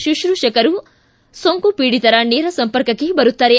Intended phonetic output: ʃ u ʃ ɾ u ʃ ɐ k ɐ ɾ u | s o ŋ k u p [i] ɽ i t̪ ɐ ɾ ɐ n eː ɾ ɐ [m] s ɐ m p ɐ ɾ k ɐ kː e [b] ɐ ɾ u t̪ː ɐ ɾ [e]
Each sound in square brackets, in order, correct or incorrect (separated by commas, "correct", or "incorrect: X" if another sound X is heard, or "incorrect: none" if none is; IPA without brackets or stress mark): incorrect: iː, incorrect: none, correct, correct